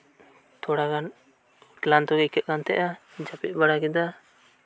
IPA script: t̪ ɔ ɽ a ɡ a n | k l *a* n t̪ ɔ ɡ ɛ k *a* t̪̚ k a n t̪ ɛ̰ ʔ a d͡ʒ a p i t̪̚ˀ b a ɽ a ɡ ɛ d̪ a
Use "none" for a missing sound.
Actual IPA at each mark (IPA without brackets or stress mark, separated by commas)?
a, ɛ